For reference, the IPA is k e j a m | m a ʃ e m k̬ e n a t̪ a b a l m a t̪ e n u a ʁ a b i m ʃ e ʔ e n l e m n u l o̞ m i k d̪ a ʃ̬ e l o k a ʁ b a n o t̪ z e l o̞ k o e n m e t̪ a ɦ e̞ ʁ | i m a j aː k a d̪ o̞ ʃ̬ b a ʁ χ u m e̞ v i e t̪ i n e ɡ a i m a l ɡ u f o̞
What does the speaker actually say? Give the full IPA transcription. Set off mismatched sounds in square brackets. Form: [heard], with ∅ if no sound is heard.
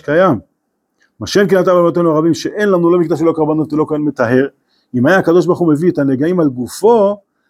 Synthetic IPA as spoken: k [a] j a m | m a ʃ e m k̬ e n a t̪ a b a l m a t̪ e n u a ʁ a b i m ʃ e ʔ e n l [a] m n u l o̞ m i k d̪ a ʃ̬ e l o k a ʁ b a n o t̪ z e l o̞ k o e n m e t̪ a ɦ e̞ ʁ | i m a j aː k a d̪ o̞ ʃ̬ b a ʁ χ u m e̞ v i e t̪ [a] n e ɡ a i m a l ɡ u f o̞